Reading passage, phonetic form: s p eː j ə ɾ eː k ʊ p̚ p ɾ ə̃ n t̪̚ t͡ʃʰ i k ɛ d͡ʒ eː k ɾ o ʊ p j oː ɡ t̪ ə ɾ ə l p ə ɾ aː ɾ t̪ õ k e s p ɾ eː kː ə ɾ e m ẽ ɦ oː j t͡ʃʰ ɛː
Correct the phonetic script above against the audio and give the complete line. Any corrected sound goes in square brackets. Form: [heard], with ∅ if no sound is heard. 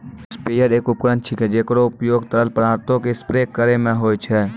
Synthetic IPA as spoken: s p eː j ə ɾ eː k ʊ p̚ [k] ɾ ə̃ n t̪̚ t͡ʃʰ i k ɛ d͡ʒ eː k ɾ o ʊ p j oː ɡ t̪ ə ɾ ə l p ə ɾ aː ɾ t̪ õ k e s p ɾ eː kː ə ɾ e m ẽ ɦ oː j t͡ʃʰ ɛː